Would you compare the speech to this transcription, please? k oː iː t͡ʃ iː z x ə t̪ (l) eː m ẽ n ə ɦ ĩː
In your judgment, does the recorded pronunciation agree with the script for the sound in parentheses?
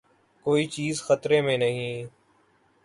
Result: no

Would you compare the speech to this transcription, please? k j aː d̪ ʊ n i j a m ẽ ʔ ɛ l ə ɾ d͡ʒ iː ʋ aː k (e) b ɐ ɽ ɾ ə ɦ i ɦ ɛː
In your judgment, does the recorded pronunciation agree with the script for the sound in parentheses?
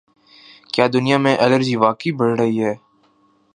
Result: no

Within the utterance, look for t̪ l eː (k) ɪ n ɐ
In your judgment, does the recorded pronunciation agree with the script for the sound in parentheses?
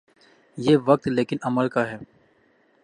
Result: yes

